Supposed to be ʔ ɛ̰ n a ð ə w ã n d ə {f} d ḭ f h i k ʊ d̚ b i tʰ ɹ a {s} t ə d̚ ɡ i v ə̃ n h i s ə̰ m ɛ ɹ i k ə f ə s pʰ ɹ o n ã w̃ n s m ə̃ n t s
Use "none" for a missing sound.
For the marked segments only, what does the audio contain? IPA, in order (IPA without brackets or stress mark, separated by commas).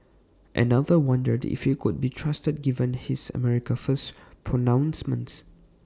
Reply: none, s